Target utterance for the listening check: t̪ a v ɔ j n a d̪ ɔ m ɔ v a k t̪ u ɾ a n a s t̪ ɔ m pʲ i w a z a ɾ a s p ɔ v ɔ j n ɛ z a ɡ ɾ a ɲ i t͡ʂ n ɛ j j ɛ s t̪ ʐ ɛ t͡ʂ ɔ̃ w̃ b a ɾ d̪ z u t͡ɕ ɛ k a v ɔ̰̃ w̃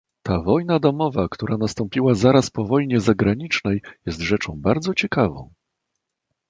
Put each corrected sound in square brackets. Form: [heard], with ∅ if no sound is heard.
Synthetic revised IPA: t̪ a v ɔ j n a d̪ ɔ m ɔ v a k t̪ u ɾ a n a s t̪ ɔ m pʲ i w a z a ɾ a s p ɔ v ɔ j [ɲ] ɛ z a ɡ ɾ a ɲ i t͡ʂ n ɛ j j ɛ s t̪ ʐ ɛ t͡ʂ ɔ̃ w̃ b a ɾ d̪ z [ɔ] t͡ɕ ɛ k a v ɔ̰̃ w̃